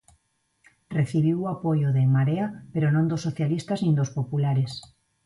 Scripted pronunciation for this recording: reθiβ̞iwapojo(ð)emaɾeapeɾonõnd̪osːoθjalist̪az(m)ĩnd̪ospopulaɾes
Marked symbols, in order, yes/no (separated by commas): yes, no